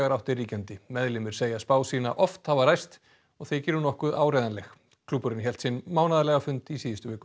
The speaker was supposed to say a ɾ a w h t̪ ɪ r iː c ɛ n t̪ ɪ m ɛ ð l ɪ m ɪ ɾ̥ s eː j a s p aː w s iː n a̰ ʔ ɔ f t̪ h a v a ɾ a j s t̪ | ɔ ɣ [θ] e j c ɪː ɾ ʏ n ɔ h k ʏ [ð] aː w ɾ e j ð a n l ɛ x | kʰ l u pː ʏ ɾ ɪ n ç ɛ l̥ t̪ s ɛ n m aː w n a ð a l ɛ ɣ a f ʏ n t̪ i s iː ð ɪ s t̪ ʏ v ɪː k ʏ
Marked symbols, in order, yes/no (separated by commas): yes, yes